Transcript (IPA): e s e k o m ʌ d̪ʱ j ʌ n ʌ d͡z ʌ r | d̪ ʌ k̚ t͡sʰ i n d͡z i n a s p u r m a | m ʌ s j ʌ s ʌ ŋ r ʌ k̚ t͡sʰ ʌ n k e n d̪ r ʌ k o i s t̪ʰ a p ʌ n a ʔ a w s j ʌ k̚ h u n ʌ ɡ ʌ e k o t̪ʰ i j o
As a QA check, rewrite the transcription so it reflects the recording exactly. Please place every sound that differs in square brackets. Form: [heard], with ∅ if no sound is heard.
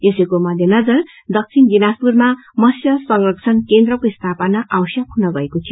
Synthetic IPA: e s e k o m ʌ d̪ʱ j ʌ n ʌ d͡z ʌ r | d̪ ʌ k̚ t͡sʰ i n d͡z i n a s p u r m a | m ʌ s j ʌ s ʌ ŋ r ʌ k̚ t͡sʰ ʌ n k e n d̪ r ʌ k o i s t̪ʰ a p ʌ n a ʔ a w s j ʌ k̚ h u n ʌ ɡ ʌ e k o t̪ʰ i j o